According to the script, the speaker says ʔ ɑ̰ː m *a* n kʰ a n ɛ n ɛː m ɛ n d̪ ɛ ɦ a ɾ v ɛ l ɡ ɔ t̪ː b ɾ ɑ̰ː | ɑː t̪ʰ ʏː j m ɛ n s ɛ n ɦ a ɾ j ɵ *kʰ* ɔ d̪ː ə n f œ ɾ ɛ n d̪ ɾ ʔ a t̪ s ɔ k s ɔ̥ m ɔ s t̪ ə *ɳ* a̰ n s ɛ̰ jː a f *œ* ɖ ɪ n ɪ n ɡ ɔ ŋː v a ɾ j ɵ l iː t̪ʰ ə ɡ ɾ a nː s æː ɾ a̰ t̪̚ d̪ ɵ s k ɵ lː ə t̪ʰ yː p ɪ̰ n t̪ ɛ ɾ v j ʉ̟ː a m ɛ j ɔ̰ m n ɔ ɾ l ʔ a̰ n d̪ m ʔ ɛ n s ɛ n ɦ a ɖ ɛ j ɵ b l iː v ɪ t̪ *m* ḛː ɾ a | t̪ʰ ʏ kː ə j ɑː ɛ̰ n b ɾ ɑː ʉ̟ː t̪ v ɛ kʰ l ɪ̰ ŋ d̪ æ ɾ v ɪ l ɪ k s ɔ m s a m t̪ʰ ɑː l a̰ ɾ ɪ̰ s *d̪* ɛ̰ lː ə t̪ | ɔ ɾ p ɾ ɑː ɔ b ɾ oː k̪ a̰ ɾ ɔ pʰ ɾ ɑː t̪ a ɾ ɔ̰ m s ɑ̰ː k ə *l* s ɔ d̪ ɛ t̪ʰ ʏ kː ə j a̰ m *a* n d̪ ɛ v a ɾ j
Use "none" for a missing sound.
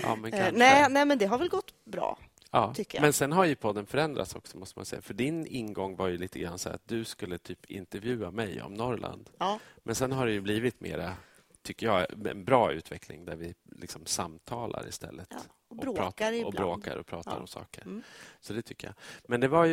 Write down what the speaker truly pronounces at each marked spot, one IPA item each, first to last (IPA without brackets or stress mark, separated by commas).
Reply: ɛ, pʰ, m, œ, m, t̪, ɾ, ɛ